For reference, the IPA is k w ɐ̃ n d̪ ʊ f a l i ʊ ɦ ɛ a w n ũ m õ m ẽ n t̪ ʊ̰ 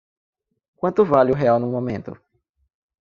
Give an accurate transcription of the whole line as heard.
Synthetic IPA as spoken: k w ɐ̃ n t̪ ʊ v a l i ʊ ɦ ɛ a w n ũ m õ m ẽ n t̪ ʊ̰